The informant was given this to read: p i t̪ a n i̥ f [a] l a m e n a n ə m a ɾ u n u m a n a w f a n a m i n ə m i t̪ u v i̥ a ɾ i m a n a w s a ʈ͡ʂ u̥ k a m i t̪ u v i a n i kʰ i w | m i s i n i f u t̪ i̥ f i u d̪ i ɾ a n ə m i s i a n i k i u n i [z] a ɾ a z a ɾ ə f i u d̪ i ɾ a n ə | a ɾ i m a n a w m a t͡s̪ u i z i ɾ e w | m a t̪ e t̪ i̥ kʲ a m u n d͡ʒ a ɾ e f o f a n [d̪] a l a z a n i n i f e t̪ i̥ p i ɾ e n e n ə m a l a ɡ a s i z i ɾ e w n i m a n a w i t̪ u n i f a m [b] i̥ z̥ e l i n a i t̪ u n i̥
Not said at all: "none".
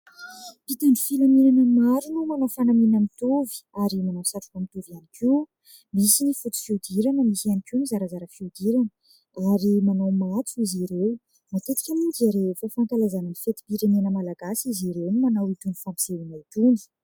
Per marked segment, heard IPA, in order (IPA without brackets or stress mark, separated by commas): i, z, t̪, p